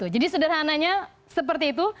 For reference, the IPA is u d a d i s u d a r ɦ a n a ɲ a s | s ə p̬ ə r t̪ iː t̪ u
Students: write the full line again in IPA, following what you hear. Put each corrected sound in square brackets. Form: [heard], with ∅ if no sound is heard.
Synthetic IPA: u [d͡ʒ] a d i s u d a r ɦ a n a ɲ a [∅] | s ə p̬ ə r t̪ iː t̪ u